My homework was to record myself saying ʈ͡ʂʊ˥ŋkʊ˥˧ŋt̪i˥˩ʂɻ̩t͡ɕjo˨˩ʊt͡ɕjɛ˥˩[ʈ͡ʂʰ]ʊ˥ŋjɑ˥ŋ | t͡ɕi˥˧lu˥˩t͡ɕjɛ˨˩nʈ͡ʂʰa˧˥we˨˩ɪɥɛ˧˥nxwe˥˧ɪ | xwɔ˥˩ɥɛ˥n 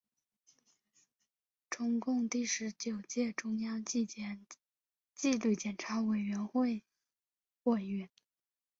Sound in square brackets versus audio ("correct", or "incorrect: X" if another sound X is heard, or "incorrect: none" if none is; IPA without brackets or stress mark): incorrect: ʈ͡ʂ